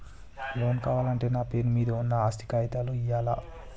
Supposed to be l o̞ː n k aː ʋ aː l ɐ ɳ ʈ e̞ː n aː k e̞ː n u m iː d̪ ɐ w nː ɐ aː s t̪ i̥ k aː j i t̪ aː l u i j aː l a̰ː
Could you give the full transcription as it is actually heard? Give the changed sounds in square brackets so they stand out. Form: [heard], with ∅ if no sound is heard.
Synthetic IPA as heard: l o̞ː n k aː ʋ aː l ɐ ɳ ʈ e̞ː n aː [p] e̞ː n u m iː d̪ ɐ [u] nː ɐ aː s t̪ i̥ k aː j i t̪ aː l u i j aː l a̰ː